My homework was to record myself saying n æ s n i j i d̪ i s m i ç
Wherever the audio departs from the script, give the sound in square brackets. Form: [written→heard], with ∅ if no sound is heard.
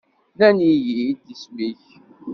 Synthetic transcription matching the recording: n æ [s→∅] n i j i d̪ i s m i ç